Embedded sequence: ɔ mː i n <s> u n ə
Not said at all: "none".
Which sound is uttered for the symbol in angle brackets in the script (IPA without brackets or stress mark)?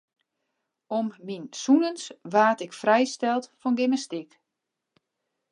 s